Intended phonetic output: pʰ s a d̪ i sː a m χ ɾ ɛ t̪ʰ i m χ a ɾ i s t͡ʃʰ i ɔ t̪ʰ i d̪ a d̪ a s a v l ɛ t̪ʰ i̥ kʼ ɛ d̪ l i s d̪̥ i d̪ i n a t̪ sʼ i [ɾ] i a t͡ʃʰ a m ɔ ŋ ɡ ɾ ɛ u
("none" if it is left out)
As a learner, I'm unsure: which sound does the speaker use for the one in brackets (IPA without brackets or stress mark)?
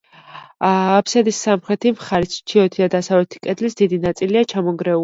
l